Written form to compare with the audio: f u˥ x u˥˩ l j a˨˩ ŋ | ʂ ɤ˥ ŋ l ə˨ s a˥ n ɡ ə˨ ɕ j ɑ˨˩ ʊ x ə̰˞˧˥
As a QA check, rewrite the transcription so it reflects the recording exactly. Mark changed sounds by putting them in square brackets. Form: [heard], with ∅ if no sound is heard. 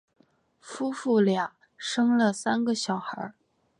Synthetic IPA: f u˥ [f] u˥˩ l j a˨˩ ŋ | ʂ ɤ˥ ŋ l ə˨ s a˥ n ɡ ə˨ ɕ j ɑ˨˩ ʊ x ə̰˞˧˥